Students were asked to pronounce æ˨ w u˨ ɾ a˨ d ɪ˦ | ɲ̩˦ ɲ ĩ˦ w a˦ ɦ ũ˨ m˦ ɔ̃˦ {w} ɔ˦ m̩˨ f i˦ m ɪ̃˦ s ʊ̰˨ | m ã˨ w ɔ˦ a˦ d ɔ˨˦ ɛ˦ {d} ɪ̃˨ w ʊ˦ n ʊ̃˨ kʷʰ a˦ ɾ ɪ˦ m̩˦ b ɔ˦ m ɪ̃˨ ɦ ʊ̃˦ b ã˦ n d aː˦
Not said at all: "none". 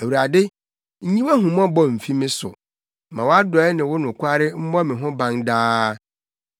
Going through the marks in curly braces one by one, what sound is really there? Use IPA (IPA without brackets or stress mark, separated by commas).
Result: b, n